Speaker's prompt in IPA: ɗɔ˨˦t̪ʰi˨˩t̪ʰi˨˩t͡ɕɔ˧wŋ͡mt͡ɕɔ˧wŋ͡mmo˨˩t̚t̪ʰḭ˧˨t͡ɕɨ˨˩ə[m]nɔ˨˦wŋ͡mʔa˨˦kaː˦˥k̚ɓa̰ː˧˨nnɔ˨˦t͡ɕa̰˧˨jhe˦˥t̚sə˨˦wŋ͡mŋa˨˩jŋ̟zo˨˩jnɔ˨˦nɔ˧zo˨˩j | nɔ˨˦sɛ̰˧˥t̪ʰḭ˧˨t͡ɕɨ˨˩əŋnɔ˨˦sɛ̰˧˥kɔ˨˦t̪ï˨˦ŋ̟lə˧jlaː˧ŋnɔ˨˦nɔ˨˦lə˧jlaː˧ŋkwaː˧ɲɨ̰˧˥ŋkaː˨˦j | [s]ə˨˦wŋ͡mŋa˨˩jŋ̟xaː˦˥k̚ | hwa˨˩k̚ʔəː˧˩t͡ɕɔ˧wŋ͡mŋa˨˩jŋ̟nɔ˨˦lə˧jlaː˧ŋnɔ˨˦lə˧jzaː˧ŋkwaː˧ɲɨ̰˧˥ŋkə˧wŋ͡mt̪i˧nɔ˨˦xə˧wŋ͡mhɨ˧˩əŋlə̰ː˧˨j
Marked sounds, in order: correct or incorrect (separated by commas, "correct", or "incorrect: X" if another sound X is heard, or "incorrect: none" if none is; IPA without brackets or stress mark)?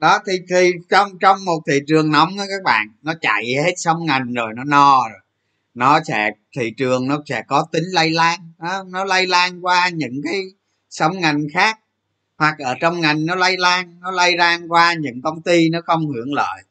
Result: incorrect: ŋ, correct